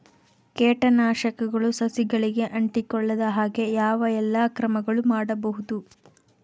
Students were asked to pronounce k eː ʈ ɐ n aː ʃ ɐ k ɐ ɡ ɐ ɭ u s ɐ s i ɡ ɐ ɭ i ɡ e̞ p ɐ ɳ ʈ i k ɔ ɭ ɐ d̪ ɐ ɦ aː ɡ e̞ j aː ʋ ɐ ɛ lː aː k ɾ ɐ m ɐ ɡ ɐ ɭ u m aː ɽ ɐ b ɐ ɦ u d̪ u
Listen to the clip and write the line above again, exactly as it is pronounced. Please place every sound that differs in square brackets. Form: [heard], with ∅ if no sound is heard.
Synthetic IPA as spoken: k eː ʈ ɐ n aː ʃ ɐ k ɐ ɡ ɐ ɭ u s ɐ s i ɡ ɐ ɭ i ɡ e̞ [ʔ] ɐ ɳ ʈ i k ɔ [ɭː] ɐ d̪ ɐ ɦ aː ɡ e̞ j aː ʋ ɐ ɛ lː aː k ɾ ɐ m ɐ ɡ ɐ ɭ u m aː ɽ ɐ b ɐ ɦ u d̪ u